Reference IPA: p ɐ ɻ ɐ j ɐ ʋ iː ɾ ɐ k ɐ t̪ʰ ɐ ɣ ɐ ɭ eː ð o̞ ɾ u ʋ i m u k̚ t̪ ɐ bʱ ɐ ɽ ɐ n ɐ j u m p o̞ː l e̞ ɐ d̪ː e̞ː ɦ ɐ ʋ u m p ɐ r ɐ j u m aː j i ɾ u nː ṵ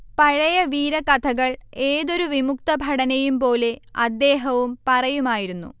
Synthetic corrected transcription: p ɐ ɻ ɐ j ɐ ʋ iː ɾ ɐ k ɐ t̪ʰ ɐ ɣ ɐ ɭ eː ð o̞ ɾ u ʋ i m u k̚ t̪ ɐ bʱ ɐ ɽ ɐ n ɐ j u m p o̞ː l e̞ ɐ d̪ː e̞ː ɦ ɐ ʋ u m p ɐ r ɐ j u m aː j i ɾ u nː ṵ